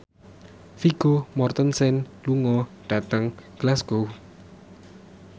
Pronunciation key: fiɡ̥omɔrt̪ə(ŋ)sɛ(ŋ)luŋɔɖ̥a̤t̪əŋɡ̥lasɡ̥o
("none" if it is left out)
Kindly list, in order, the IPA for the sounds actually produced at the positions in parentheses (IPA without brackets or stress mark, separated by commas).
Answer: n, n